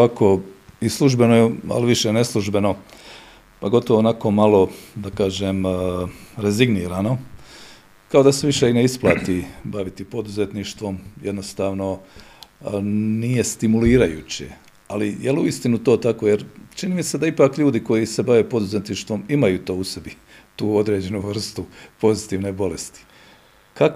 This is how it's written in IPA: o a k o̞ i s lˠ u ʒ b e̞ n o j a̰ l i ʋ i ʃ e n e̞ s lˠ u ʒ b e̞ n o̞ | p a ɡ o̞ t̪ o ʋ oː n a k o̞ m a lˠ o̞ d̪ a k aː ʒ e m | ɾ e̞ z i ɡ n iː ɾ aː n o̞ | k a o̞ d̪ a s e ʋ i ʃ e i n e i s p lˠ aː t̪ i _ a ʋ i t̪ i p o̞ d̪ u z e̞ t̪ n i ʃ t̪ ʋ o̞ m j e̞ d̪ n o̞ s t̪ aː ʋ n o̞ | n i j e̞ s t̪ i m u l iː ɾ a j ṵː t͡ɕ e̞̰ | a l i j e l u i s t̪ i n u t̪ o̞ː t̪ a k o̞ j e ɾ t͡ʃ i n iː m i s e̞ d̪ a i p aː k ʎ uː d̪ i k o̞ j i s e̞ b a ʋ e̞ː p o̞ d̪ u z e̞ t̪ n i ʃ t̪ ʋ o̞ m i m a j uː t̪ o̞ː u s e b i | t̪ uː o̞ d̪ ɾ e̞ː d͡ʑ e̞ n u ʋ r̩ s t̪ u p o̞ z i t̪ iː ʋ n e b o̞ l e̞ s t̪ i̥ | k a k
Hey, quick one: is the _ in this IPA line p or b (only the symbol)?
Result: b